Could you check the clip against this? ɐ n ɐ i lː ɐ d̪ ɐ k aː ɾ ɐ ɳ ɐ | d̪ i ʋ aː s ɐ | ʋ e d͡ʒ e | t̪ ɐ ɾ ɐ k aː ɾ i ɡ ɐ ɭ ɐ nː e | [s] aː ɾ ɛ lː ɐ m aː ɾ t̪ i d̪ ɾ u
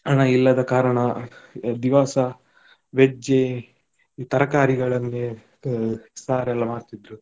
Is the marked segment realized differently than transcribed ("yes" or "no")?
no